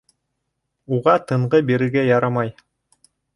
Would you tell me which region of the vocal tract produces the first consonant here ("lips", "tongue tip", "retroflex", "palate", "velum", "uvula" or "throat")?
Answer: uvula